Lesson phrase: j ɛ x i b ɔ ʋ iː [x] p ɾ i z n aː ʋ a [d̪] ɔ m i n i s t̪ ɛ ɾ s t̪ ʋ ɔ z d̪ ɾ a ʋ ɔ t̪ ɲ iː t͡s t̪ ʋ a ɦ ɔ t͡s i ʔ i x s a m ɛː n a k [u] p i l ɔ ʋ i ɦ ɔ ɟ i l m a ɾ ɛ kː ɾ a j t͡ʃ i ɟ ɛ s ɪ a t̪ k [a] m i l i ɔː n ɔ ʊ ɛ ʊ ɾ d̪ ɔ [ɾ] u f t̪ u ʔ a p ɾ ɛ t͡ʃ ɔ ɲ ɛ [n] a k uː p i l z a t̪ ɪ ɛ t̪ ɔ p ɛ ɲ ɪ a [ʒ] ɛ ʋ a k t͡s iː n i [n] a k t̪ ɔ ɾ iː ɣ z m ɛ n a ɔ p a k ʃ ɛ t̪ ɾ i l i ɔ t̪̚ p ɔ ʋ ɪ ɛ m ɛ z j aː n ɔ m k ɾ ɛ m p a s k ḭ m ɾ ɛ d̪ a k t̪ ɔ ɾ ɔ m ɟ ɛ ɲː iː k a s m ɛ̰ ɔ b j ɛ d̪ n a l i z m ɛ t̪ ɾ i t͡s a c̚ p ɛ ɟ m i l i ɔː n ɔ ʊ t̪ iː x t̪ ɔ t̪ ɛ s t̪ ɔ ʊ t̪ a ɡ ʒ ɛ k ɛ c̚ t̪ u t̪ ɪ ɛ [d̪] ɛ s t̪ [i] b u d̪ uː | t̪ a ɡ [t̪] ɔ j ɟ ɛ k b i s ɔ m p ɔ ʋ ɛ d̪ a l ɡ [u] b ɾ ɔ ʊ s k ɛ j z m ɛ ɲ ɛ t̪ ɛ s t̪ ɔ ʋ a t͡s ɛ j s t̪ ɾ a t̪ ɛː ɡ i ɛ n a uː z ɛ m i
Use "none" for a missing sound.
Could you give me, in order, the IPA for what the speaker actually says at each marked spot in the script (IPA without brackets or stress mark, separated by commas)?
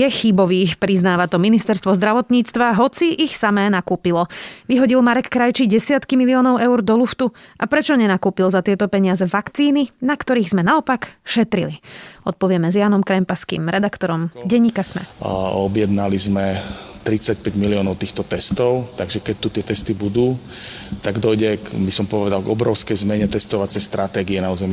x, t̪, uː, i, l, n, z, n, t̪, i, d̪, ɔ